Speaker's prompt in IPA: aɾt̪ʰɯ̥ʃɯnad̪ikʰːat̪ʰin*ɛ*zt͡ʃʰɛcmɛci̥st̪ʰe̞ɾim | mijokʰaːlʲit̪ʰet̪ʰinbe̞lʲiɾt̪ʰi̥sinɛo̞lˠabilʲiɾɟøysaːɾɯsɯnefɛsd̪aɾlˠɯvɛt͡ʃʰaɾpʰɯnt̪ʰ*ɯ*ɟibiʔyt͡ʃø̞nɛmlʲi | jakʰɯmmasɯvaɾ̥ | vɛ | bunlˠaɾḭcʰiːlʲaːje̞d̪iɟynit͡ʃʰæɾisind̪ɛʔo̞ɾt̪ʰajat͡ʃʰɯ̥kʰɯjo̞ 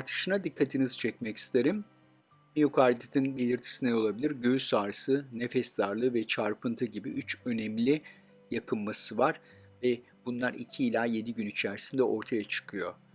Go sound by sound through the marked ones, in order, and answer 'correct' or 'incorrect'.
incorrect: i, correct

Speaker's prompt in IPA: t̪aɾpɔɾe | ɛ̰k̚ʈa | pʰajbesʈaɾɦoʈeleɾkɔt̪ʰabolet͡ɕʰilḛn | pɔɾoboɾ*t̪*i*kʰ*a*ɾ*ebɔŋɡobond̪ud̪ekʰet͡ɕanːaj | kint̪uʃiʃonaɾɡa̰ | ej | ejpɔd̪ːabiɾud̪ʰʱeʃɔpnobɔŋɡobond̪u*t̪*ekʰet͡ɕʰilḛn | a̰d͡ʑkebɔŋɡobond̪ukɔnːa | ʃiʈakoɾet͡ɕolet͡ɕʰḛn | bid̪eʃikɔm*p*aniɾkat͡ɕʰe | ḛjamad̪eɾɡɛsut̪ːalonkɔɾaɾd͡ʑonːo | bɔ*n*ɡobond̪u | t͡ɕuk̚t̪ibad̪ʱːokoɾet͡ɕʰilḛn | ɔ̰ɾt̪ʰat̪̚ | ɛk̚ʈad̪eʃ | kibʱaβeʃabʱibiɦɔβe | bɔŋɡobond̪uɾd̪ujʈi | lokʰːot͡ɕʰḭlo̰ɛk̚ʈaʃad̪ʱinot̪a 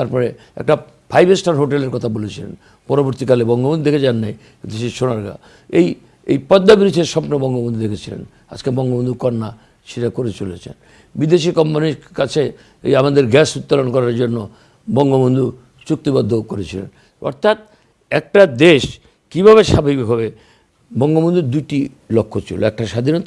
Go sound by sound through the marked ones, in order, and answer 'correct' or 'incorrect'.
correct, incorrect: k, incorrect: l, incorrect: d̪, correct, incorrect: ŋ

